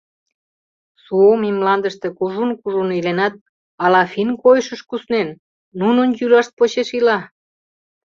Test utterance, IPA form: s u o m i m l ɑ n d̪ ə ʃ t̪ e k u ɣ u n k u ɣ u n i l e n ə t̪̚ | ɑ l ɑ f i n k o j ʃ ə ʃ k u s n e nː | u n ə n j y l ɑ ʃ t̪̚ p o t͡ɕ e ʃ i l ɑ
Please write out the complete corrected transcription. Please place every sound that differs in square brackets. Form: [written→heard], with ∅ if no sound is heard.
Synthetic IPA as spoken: s u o m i m l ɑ n d̪ ə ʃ t̪ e k u [ɣ→ʒ] u n k u [ɣ→ʒ] u n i l e n [ə→ɑ] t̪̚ | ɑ l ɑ f i n k o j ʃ ə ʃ k u s n e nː | u n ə n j y l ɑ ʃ t̪̚ p o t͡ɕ e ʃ i l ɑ